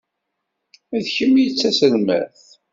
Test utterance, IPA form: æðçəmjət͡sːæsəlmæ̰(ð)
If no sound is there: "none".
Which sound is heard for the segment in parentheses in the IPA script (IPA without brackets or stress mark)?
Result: θ